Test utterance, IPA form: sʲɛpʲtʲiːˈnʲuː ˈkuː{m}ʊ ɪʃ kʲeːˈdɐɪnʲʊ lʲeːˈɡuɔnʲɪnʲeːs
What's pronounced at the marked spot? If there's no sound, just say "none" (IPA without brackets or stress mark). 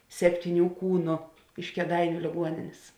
n